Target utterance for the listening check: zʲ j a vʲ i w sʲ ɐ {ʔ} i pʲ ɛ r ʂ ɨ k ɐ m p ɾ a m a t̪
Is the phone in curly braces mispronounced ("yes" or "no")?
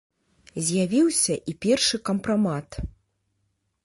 no